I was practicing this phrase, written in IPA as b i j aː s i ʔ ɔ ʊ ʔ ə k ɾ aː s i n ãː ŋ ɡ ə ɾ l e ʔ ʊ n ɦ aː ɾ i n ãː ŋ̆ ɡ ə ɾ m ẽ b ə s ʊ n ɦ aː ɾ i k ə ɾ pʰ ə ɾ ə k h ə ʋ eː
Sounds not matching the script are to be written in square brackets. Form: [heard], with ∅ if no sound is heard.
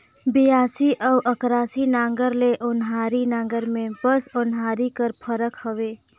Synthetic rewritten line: b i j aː s i ʔ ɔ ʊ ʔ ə k ɾ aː s i n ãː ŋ ɡ ə ɾ l e ʔ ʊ n ɦ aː ɾ i n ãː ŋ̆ ɡ ə ɾ m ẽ b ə s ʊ n ɦ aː ɾ i k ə ɾ pʰ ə ɾ ə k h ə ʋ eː